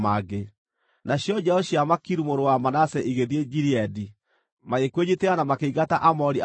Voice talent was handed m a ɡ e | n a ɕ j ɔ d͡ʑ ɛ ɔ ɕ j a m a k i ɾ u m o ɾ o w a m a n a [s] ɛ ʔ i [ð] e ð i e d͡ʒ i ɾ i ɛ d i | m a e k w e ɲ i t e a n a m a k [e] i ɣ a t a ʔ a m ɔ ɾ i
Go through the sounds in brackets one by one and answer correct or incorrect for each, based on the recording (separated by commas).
correct, incorrect, correct